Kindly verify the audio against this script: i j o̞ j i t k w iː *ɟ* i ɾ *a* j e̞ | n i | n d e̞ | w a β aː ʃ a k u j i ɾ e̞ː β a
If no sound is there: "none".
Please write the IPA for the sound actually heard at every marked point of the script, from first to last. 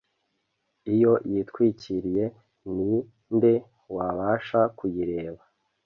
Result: c, i

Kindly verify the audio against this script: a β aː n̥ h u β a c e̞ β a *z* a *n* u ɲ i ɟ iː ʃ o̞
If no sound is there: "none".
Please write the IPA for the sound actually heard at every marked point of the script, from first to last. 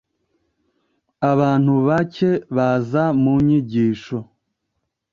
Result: z, m

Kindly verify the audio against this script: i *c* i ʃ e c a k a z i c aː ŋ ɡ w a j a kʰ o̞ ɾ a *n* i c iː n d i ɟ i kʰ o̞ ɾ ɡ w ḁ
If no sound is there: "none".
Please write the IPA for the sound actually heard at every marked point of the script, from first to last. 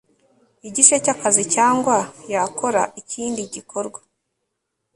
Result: ɟ, none

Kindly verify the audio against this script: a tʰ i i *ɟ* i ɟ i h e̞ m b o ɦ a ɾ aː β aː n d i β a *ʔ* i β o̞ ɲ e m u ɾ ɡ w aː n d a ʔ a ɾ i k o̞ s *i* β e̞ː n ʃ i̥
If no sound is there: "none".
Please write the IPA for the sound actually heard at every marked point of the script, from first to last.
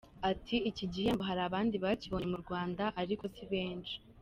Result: c, c, i

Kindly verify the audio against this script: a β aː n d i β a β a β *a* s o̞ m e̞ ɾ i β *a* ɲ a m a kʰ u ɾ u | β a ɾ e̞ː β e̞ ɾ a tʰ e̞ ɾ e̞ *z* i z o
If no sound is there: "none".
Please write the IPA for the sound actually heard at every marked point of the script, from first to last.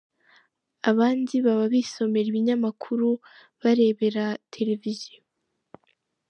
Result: i, i, v

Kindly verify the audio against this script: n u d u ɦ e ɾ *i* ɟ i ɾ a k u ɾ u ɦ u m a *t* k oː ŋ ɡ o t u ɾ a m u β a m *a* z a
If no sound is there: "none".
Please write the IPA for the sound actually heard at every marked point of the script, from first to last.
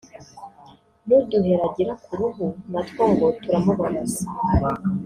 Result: a, t, a

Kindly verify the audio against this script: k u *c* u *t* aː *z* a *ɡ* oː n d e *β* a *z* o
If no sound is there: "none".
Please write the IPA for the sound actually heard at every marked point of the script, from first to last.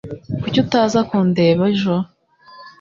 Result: c, t, z, k, β, ʒ

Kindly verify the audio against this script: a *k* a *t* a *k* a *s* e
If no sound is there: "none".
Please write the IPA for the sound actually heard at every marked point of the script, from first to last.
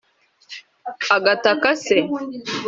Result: ɡ, t, k, s

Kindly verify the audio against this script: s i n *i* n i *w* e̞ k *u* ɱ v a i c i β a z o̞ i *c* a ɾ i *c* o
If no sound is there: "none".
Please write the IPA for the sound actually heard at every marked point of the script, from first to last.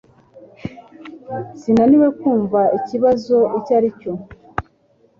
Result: a, w, uː, c, c

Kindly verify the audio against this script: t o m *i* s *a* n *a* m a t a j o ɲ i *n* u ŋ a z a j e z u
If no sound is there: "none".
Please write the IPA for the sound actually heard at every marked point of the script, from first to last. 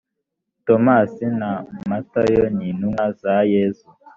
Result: a, i, a, n

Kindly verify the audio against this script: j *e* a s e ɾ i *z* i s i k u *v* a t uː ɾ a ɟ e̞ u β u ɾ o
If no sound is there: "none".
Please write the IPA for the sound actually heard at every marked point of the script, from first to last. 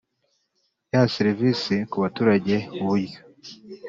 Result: a, v, β

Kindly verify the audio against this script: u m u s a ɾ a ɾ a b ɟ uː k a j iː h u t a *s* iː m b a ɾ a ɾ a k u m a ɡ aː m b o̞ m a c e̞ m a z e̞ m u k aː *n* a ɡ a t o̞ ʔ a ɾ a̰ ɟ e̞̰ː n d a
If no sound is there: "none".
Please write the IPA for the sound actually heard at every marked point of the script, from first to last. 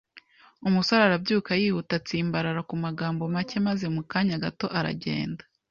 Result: t͡s, ɲ

